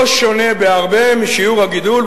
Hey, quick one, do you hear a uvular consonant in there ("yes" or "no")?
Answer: yes